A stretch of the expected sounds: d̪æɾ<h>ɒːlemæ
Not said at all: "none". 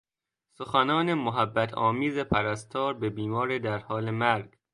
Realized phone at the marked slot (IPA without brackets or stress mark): h